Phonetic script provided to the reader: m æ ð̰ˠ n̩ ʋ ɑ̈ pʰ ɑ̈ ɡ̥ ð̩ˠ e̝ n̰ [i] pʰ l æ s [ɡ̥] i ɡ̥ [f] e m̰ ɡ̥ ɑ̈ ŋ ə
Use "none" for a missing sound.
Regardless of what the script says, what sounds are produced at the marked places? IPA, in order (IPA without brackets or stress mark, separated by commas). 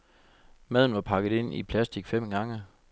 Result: i, d̥, f